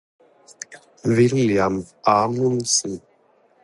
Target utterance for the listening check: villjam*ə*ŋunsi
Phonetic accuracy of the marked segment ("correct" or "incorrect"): incorrect